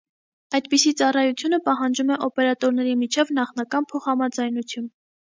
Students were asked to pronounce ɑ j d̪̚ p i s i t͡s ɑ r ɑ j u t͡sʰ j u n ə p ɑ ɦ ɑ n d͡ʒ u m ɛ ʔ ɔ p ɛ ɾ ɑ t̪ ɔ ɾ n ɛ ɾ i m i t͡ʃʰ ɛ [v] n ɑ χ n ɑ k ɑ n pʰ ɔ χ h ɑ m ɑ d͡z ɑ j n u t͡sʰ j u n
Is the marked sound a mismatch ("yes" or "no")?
no